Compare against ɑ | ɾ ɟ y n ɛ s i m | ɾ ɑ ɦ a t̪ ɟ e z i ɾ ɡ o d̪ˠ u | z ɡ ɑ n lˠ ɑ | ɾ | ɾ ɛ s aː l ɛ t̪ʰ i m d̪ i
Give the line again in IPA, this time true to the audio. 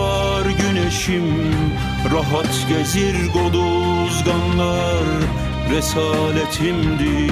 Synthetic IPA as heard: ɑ | ɾ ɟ y n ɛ ʃ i m | ɾ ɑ ɦ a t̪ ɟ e z i ɾ ɡ o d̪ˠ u | z ɡ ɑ n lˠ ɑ | ɾ | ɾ ɛ s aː l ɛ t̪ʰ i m d̪ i